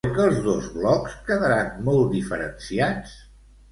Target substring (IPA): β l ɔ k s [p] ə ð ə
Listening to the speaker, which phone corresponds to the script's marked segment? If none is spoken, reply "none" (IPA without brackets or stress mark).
k